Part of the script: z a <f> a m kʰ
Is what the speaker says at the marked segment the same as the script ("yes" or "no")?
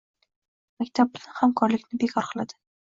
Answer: no